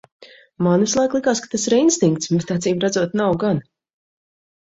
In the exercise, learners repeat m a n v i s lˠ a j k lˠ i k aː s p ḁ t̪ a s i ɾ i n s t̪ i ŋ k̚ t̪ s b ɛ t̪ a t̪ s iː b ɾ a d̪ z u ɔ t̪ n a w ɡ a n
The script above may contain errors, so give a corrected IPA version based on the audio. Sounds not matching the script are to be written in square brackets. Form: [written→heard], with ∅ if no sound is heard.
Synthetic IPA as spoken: m a n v i s lˠ a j k lˠ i k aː s [p→k] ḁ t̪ a s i ɾ i n s t̪ i ŋ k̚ t̪ s b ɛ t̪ a t̪ s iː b ɾ a d̪ z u ɔ t̪ n a w ɡ a n